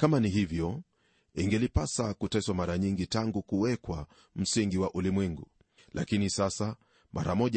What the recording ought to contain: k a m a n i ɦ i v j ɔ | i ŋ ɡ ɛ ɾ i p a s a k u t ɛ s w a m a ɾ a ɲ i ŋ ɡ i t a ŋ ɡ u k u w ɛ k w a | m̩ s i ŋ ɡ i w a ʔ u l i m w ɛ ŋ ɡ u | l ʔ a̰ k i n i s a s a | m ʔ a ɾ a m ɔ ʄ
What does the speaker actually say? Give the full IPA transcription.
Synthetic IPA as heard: k a m a n i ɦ i v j ɔ | i ŋ ɡ ɛ l i p a s a k u t ɛ s w a m a ɾ a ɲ i ŋ ɡ i t a ŋ ɡ u k u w ɛ k w a | m̩ s i ŋ ɡ i w a ʔ u l i m w ɛ ŋ ɡ u | l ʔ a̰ k i n i s a s a | m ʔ a ɾ a m ɔ ʄ